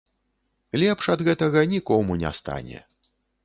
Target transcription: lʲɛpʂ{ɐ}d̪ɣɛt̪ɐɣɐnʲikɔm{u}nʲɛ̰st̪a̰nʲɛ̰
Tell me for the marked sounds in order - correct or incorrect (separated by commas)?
correct, correct